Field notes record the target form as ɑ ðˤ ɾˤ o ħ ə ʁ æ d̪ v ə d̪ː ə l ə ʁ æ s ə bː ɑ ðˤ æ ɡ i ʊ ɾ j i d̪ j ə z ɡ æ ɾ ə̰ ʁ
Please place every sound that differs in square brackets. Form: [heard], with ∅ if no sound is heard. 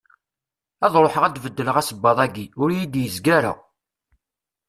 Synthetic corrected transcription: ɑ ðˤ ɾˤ o ħ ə ʁ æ d̪ v ə d̪ː ə l ə ʁ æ s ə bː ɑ ðˤ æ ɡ i ʊ ɾ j i d̪ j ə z ɡ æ ɾ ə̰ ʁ